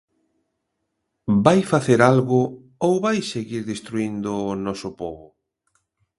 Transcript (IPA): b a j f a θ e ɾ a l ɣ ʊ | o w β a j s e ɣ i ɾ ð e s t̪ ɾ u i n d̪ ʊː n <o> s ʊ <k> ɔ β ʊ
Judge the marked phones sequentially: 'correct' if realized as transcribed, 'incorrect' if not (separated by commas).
incorrect, incorrect